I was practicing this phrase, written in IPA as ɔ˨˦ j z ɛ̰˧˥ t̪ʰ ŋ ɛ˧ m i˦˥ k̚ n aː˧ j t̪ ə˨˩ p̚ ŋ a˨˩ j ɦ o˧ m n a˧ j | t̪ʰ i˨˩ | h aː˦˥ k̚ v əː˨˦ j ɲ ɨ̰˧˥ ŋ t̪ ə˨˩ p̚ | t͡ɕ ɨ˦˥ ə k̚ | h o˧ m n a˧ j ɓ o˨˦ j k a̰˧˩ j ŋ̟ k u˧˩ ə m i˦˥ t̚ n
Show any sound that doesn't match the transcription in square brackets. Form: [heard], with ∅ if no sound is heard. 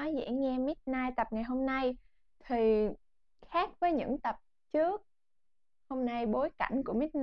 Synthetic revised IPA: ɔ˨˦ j z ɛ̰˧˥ [∅] ŋ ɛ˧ m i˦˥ [t̚] n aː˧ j t̪ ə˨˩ p̚ ŋ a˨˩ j ɦ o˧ m n a˧ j | t̪ʰ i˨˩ | [x] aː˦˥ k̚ v əː˨˦ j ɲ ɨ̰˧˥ ŋ t̪ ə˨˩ p̚ | t͡ɕ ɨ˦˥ ə k̚ | h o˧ m n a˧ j ɓ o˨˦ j k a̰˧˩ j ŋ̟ k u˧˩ ə m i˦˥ t̚ n